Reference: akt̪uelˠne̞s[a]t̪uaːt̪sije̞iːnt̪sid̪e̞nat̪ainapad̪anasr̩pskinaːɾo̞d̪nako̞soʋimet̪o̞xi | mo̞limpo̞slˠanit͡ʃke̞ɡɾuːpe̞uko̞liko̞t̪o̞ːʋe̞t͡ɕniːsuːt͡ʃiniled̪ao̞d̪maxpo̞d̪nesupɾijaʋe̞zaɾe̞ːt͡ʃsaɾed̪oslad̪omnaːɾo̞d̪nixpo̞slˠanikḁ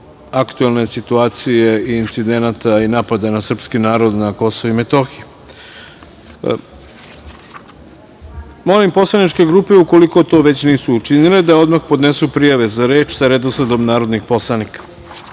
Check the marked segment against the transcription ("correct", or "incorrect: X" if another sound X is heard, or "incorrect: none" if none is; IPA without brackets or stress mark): incorrect: i